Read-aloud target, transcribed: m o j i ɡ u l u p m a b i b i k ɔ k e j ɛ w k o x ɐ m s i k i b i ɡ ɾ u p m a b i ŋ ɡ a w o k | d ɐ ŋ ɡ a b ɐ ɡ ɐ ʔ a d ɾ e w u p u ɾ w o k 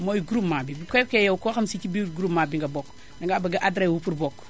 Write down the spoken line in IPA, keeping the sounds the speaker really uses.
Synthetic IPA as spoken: m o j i ɡ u ɾ u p m a b i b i k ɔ k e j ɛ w k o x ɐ m s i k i b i ɡ ɾ u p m a b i ŋ ɡ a b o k | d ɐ ŋ ɡ a b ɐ ɡ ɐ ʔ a d ɾ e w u p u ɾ b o k